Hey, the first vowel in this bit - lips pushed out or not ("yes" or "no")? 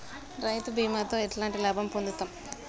no